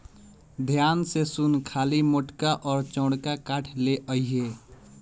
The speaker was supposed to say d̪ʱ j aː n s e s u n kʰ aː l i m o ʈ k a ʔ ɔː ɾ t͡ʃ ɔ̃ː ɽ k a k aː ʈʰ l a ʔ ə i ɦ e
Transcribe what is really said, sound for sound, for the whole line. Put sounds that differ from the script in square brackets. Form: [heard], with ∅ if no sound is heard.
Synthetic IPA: d̪ʱ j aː n s e s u n kʰ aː l i m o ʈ k a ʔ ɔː ɾ t͡ʃ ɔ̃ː ɽ k a k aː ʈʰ l [e] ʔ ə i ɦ e